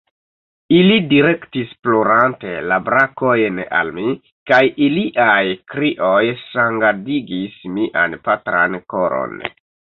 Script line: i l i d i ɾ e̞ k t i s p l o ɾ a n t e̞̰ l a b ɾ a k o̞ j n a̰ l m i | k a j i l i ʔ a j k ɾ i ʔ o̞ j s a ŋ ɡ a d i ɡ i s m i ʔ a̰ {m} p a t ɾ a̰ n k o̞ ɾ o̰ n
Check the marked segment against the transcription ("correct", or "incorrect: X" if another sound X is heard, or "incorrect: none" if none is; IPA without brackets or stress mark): incorrect: n